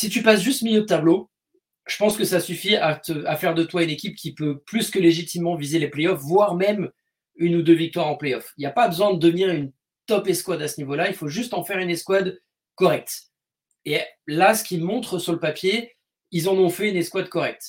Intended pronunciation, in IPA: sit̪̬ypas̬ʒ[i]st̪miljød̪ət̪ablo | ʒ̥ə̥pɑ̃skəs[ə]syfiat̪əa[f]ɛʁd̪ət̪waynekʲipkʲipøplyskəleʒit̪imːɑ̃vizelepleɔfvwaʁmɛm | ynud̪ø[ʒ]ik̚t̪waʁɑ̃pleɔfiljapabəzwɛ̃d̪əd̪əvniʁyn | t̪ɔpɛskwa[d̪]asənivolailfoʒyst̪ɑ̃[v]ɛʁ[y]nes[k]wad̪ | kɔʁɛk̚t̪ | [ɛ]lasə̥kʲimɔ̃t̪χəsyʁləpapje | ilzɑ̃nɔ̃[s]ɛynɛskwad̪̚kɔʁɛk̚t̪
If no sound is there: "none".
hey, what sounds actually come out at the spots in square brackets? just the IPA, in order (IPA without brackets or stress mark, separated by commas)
y, a, f, v, d̪, f, y, k, e, f